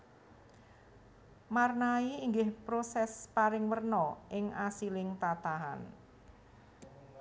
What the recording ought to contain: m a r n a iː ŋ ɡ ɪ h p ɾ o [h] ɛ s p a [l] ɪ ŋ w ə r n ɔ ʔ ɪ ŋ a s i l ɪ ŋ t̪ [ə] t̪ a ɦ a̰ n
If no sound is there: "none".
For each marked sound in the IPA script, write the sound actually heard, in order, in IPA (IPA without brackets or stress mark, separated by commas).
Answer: s, ɾ, a